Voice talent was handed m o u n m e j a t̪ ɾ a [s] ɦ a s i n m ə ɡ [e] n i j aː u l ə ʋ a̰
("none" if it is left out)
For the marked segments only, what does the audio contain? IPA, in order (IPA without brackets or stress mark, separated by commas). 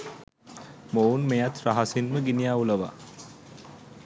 none, i